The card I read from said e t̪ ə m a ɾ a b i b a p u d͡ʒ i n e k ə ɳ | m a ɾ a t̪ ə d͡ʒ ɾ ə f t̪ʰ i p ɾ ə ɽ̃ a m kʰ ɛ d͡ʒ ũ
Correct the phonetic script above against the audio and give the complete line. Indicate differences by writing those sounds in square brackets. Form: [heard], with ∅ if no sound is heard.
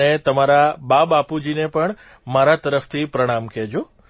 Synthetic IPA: e t̪ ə m a ɾ a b [a] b a p u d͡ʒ i n e [p] ə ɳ | m a ɾ a t̪ ə [∅] ɾ ə f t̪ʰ i p ɾ ə ɽ̃ a m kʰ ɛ d͡ʒ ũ